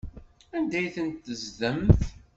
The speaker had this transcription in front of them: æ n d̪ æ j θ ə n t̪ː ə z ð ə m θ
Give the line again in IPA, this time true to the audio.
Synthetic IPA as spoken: æ n d̪ æ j θ ə n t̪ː ə z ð ə m θ